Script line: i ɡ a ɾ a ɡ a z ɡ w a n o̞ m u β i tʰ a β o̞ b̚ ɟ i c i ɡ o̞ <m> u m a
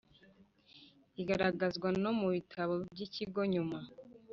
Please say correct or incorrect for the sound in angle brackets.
incorrect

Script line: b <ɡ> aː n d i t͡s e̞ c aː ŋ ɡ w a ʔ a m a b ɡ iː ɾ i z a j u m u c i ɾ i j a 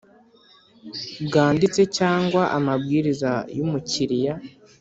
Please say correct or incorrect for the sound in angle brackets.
correct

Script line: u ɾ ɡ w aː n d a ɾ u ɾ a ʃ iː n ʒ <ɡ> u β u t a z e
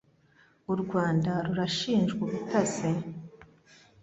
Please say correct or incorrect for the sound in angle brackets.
correct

